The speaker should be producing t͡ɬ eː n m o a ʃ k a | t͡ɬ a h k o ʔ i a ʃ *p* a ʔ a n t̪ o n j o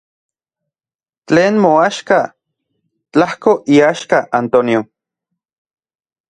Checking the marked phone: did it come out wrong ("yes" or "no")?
yes